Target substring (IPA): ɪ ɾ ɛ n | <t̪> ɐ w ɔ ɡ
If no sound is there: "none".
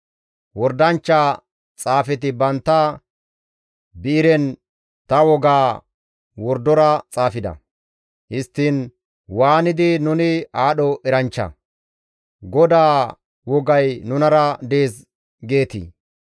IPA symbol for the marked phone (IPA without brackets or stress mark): t̪